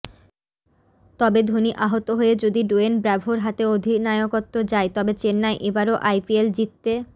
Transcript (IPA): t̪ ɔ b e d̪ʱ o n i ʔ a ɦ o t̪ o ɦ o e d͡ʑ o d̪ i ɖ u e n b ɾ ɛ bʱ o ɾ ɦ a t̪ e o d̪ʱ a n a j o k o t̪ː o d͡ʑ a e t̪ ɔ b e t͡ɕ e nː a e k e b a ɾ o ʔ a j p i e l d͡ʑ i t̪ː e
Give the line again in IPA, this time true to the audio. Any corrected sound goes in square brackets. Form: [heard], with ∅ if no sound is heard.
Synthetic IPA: t̪ ɔ b e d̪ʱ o n i ʔ a ɦ o t̪ o ɦ o e d͡ʑ o d̪ i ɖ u e n b ɾ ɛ bʱ o ɾ ɦ a t̪ e o d̪ʱ [i] n a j o k o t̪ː o d͡ʑ a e t̪ ɔ b e t͡ɕ e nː a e [ʔ] e b a ɾ o ʔ a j p i e l d͡ʑ i t̪ː e